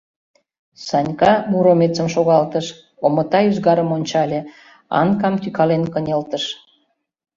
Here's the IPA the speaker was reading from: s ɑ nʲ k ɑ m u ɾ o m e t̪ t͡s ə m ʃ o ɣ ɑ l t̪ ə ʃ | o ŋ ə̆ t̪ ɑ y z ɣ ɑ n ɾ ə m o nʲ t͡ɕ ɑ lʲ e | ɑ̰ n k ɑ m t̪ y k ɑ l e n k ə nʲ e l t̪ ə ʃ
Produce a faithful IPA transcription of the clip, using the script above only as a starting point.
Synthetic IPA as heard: s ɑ nʲ k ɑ m u ɾ o m e t͡s ə m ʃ o ɣ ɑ l t̪ ə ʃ | o m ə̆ t̪ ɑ y z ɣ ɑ ɾ ə m o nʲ t͡ɕ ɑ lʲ e | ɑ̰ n k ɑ m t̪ y k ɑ l e n k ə nʲ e l t̪ ə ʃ